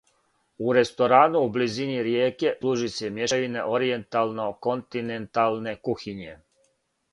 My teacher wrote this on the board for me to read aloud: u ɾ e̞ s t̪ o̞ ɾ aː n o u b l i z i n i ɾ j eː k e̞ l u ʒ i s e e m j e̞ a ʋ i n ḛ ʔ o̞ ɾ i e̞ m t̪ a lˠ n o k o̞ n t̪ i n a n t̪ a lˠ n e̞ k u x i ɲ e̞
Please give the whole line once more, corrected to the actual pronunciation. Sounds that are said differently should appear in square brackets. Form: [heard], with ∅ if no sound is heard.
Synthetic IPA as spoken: u ɾ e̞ s t̪ o̞ ɾ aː n [u] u b l i z i n i ɾ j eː k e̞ l u ʒ i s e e m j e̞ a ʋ i n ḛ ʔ o̞ ɾ i e̞ [n] t̪ a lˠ n o k o̞ n t̪ i n [e] n t̪ a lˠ n e̞ k u x i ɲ e̞